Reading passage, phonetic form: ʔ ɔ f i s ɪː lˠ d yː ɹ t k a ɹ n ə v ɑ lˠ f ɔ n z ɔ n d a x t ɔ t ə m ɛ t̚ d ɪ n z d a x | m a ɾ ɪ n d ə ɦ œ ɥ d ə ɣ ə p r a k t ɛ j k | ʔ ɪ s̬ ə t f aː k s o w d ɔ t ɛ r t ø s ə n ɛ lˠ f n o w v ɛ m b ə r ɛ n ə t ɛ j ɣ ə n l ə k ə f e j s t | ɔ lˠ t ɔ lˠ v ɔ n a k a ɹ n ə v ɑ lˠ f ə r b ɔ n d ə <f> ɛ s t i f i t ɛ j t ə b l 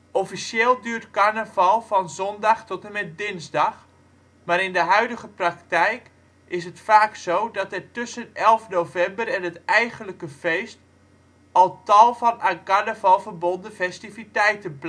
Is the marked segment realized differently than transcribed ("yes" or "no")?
no